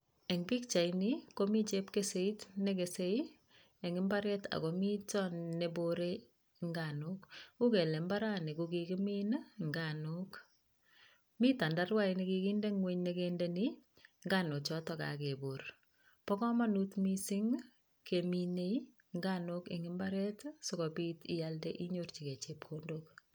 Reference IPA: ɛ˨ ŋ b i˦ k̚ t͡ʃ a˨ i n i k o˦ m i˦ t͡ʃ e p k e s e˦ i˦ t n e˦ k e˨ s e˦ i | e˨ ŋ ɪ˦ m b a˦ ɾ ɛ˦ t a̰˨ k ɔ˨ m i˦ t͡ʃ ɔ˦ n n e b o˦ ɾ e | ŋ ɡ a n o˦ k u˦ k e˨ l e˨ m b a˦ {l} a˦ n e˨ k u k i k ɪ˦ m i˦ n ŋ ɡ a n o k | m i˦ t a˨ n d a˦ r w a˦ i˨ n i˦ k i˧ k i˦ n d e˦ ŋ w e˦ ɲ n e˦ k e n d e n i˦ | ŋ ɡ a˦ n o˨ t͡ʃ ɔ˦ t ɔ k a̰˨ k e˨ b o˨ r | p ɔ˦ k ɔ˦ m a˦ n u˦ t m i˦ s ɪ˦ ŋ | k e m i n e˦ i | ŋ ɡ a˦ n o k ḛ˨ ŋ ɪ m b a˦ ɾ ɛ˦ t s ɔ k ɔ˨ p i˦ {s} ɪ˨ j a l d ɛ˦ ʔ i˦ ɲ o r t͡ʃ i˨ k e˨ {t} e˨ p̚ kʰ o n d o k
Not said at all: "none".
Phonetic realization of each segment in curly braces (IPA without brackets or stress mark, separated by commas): ɾ, t, t͡ʃ